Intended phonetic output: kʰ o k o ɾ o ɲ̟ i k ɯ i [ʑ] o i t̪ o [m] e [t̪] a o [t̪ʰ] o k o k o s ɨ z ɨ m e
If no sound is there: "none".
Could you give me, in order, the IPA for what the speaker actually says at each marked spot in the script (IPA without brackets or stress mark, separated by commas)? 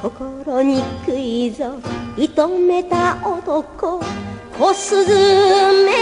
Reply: z, m, t̪, t̪